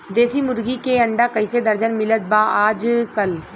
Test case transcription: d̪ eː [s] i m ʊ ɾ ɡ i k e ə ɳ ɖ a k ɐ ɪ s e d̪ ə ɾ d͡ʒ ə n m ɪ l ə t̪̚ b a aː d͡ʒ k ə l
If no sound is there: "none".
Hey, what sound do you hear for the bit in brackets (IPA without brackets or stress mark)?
s